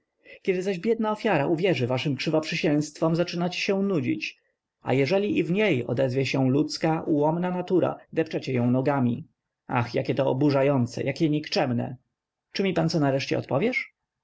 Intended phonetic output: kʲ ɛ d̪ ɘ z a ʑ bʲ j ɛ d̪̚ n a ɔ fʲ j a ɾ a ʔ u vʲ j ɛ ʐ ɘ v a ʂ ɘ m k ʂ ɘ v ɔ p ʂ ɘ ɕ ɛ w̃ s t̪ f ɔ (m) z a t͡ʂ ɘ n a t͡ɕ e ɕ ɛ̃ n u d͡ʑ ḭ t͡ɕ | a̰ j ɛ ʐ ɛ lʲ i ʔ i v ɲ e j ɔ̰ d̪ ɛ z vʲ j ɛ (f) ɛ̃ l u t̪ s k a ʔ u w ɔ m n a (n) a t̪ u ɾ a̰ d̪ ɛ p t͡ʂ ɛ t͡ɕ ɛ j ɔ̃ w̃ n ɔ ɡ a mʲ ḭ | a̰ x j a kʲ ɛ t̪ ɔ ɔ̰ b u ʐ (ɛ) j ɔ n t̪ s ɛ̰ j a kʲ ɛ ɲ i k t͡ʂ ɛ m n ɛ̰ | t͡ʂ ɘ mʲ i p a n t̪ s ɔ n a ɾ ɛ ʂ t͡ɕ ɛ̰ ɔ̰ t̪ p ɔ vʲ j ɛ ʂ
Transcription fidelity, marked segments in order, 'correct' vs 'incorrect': correct, incorrect, correct, incorrect

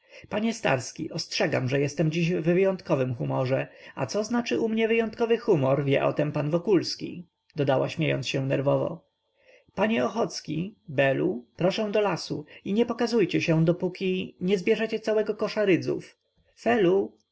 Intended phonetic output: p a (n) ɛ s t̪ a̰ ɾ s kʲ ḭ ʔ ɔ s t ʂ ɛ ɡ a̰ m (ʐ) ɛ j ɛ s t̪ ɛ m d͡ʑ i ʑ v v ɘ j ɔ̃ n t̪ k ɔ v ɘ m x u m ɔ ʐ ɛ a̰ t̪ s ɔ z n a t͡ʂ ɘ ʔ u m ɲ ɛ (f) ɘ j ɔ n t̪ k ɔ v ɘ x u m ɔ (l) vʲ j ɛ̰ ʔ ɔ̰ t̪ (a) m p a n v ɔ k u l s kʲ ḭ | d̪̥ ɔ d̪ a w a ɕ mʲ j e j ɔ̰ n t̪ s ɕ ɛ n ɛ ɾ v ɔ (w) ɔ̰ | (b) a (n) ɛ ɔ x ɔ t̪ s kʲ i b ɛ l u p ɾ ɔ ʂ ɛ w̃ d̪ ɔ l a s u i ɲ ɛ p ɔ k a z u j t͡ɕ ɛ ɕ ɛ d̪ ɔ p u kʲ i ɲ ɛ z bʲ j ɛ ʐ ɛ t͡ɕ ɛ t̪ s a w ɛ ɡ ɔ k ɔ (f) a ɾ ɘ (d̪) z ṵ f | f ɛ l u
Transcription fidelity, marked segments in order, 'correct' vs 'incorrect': incorrect, correct, incorrect, incorrect, incorrect, incorrect, incorrect, incorrect, incorrect, correct

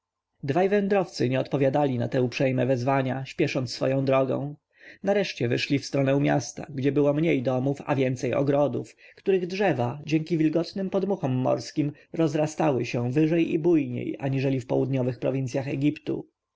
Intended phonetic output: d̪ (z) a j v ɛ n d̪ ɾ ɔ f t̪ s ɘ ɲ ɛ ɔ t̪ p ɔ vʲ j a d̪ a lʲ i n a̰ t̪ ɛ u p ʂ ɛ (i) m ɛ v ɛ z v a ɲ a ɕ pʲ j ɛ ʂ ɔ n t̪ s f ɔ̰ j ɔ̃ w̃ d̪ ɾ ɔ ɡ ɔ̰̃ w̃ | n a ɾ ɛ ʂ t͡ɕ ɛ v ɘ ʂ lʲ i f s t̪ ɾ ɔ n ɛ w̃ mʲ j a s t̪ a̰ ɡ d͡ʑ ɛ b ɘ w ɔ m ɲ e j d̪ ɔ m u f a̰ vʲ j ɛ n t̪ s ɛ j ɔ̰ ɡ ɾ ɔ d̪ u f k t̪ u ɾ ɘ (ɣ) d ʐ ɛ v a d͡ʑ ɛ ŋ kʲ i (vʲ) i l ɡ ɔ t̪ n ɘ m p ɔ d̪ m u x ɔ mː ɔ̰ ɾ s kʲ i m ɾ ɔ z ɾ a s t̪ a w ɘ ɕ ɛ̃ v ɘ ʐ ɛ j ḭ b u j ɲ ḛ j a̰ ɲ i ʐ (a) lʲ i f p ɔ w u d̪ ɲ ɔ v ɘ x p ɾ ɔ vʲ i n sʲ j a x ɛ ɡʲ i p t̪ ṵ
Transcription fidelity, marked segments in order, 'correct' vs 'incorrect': incorrect, incorrect, correct, correct, incorrect

